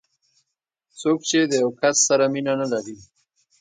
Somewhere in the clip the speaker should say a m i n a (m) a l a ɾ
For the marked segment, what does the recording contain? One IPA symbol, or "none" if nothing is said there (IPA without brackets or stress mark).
n